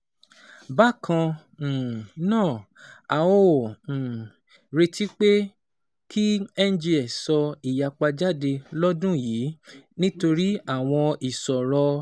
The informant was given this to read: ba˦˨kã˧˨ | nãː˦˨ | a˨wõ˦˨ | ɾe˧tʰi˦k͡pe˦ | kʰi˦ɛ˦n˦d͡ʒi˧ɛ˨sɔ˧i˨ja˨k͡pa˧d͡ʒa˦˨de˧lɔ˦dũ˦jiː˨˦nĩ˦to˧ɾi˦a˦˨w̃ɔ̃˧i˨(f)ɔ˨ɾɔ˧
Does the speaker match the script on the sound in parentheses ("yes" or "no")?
no